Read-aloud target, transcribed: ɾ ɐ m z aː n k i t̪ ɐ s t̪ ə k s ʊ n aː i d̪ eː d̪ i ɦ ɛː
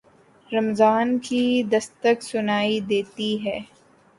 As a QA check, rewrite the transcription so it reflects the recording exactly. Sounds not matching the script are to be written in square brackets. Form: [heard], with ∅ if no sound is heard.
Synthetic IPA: ɾ ɐ m z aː n k i [d̪] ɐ s t̪ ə k s ʊ n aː i d̪ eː [t̪] i ɦ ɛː